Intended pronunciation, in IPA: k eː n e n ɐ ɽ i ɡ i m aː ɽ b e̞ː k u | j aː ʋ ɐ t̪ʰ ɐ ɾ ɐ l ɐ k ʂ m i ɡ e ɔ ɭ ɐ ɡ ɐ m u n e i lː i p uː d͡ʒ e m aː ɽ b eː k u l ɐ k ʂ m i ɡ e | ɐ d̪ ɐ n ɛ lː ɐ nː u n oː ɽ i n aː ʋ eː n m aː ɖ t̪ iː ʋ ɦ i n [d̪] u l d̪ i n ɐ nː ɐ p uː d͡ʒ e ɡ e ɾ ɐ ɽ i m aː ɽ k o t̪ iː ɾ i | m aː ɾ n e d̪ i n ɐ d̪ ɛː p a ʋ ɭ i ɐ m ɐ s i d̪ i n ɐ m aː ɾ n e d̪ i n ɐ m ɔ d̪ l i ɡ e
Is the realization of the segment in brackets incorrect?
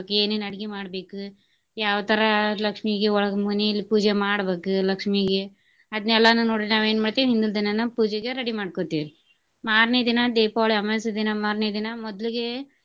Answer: no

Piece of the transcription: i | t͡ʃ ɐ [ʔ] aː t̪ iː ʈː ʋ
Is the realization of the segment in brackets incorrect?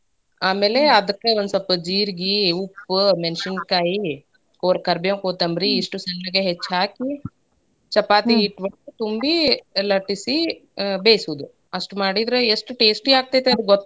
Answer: yes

